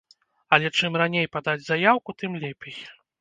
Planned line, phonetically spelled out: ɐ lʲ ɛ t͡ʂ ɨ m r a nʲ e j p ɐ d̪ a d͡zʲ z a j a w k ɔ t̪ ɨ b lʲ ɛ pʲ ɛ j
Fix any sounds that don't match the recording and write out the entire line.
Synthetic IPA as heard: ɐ lʲ ɛ t͡ʂ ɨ m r a nʲ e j p a d̪ a d͡zʲ z a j a w k u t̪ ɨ m lʲ ɛ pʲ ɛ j